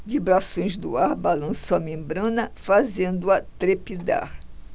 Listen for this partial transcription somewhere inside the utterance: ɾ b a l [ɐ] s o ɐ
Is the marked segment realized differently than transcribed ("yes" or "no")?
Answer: yes